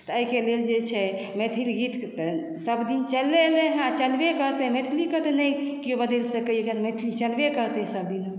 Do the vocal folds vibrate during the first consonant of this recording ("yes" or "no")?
no